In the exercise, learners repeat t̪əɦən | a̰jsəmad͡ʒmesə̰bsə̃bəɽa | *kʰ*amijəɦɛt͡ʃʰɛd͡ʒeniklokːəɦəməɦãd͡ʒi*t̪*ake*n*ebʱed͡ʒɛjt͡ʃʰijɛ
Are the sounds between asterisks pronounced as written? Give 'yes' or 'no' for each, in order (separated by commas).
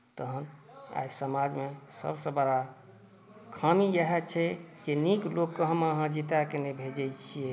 yes, yes, yes